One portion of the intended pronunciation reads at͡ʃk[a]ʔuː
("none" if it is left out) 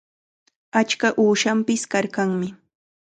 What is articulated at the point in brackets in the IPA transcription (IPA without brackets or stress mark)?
a